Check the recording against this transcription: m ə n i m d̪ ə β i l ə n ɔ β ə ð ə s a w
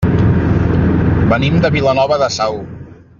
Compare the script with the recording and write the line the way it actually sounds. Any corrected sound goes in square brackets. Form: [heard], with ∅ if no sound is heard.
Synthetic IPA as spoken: [b] ə n i m d̪ ə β i l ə n ɔ β ə ð ə s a w

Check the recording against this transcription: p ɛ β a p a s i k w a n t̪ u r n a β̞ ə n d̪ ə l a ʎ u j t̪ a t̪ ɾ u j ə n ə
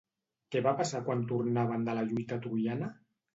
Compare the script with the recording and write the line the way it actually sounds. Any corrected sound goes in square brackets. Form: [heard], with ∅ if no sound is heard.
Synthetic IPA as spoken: [k] ɛ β a p a s [a] k w a n t̪ u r n a β̞ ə n d̪ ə l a ʎ u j t̪ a t̪ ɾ u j [a] n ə

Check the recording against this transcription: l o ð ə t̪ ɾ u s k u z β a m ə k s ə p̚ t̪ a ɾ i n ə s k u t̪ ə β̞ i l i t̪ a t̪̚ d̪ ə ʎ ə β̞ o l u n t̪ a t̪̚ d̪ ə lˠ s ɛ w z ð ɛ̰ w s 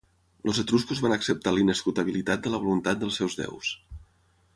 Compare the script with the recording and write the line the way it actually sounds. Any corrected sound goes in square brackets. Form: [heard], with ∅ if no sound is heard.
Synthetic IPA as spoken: l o [z] ə t̪ ɾ u s k u z β a [n] ə k s ə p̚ t̪ a [l] i n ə s k u t̪ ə β̞ i l i t̪ a t̪̚ d̪ ə [l] ə β̞ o l u n t̪ a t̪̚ d̪ ə lˠ s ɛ w z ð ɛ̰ w s

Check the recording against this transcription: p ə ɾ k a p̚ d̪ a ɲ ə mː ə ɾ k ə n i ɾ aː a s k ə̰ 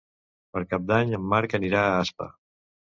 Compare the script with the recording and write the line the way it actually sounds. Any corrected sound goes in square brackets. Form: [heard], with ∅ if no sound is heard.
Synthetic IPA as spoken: p ə ɾ k a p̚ d̪ a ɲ ə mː [a] ɾ k ə n i ɾ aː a s [p] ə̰

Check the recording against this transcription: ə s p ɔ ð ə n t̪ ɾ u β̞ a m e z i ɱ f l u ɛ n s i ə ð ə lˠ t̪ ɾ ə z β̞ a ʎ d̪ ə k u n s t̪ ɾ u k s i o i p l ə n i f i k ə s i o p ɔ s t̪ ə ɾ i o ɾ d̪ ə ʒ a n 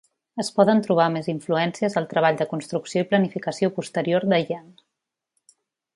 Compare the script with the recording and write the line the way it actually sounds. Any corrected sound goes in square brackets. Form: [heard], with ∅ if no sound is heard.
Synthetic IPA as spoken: ə s p ɔ ð ə n t̪ ɾ u β̞ a m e z i ɱ f l u ɛ n s i ə [z] ə lˠ t̪ ɾ ə [∅] β̞ a ʎ d̪ ə k u n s t̪ ɾ u k s i o i p l ə n i f i k ə s i o p [u] s t̪ ə ɾ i o ɾ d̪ ə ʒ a n

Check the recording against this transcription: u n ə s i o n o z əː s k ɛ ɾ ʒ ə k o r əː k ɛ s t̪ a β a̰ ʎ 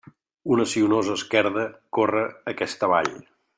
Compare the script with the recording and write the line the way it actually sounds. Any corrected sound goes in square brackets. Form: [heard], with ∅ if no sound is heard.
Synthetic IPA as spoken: u n ə s i [u] n o z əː s k ɛ ɾ [ð] ə k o r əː k ɛ s t̪ [ə] β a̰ ʎ

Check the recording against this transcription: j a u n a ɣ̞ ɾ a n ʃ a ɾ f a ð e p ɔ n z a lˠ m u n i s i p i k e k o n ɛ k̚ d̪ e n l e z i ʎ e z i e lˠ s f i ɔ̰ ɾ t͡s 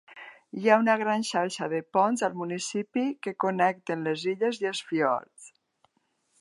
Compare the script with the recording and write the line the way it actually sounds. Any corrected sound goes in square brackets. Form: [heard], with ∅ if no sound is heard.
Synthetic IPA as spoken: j a u n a ɣ̞ ɾ a n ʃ a ɾ [ʃ] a ð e p ɔ n z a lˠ m u n i s i p i k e k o n ɛ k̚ [t̪] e n l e z i ʎ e z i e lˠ s f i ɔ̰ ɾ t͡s

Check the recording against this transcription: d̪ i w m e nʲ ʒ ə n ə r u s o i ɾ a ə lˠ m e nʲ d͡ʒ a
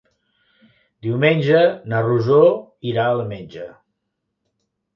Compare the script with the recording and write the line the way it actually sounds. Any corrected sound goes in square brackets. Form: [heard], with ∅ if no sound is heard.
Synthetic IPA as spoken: d̪ i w m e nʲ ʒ ə n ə r u [z] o i ɾ a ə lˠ m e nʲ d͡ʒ [ə]

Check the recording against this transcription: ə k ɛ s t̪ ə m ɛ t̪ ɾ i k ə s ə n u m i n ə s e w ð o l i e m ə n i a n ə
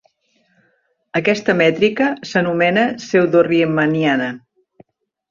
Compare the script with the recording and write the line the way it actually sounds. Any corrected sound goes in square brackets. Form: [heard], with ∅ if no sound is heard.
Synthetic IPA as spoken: ə k ɛ s t̪ ə m ɛ t̪ ɾ i k ə s ə n u m [ɛ] n ə s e w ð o [r] i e m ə n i a n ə

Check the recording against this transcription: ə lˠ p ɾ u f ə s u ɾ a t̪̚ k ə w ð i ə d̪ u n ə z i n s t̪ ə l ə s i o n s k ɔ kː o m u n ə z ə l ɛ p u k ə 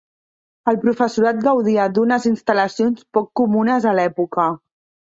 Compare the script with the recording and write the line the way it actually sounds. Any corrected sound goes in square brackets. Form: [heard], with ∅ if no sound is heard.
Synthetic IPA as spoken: ə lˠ p ɾ u f ə s u ɾ a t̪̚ [ɡ] ə w ð i ə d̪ u n ə z i n s t̪ ə l ə s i o n s [p] ɔ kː [u] m u n ə z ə l ɛ p u k ə

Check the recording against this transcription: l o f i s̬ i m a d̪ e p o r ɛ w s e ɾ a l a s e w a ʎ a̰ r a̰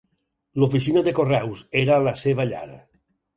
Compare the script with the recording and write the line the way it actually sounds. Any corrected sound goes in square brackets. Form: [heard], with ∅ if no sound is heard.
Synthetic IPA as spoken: l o f i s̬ i [n] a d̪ e [k] o r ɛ w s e ɾ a l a s e [β] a ʎ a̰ [ɾ] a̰

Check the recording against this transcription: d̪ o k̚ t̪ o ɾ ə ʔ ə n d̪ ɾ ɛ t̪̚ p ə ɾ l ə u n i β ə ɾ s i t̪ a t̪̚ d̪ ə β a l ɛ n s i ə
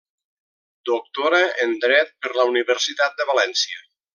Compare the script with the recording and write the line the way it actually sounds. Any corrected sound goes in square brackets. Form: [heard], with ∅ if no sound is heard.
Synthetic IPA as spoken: d̪ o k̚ t̪ o ɾ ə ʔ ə n d̪ ɾ ɛ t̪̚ p ə ɾ l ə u n i β ə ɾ s i t̪ a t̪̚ d̪ ə β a l ɛ n s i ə

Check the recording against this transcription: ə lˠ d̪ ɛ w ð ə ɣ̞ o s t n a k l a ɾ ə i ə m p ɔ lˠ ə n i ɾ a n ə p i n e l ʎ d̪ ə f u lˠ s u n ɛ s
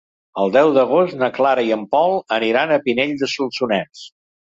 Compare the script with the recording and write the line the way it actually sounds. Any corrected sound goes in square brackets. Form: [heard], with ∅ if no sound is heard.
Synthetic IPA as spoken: ə lˠ d̪ ɛ w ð ə ɣ̞ o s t n [ə] k l a ɾ ə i ə m p ɔ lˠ ə n i ɾ a n ə p i n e [∅] ʎ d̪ ə [s] u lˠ s u n ɛ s

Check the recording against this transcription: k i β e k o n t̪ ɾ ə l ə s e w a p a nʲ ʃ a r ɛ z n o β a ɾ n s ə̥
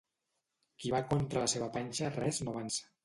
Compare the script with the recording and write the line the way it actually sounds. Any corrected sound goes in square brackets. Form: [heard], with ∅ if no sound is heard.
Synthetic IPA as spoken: k i β [a] k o n t̪ ɾ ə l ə s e [β] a p a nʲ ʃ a r ɛ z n o β a [∅] n s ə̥

